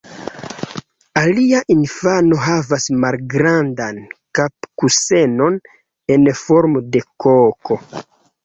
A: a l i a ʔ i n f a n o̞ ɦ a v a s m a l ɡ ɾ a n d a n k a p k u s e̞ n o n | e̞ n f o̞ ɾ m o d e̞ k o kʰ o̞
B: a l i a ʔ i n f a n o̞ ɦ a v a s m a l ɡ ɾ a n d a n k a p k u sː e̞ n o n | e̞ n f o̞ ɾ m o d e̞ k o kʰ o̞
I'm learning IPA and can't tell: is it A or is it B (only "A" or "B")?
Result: A